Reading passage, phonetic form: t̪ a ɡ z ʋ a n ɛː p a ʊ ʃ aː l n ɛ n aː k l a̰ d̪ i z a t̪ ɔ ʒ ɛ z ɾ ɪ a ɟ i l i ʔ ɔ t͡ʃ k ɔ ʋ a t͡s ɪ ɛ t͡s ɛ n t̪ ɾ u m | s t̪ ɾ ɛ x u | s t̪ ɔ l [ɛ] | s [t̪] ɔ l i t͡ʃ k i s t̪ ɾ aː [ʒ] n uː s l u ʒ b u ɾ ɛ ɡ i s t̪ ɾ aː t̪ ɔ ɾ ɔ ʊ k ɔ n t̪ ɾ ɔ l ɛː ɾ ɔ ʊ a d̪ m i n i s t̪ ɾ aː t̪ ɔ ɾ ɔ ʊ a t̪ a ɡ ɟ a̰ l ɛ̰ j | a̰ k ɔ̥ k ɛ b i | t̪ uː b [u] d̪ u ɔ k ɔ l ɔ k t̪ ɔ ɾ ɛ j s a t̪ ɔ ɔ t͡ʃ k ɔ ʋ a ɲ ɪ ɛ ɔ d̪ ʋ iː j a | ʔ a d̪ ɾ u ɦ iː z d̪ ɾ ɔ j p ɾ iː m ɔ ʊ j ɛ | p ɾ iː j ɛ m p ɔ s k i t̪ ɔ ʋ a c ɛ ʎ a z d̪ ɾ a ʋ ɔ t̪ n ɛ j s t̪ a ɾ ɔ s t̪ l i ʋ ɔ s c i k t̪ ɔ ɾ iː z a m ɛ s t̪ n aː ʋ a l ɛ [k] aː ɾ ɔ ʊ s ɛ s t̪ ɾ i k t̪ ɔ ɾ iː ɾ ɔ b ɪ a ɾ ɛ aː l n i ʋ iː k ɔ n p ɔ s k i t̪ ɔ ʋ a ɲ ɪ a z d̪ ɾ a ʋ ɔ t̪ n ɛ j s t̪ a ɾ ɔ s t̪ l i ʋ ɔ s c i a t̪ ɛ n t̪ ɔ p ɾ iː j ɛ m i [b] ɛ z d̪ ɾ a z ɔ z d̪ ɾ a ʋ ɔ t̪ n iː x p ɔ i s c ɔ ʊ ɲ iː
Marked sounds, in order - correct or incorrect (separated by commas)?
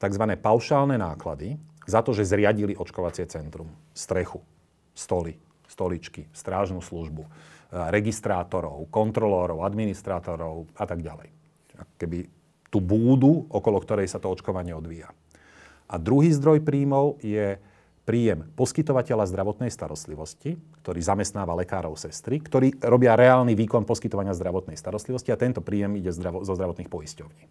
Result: incorrect, correct, correct, incorrect, correct, incorrect